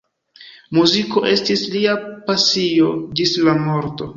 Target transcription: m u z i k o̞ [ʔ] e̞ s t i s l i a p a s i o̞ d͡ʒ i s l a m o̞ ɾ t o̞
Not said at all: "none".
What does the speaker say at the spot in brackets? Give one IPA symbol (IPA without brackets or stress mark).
ʔ